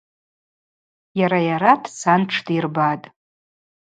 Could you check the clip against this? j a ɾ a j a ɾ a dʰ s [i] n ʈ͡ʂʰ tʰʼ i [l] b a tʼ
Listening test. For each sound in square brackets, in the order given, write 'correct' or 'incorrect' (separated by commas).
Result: incorrect, incorrect